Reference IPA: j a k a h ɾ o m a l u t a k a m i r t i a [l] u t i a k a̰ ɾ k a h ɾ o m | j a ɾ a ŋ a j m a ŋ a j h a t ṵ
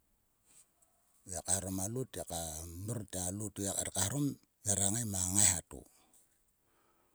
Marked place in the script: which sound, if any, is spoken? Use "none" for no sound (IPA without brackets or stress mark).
l